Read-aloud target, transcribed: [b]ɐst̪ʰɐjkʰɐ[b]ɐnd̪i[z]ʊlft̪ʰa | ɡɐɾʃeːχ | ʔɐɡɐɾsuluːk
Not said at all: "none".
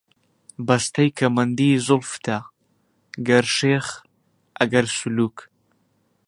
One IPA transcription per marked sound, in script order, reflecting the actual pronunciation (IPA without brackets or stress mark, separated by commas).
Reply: b, m, z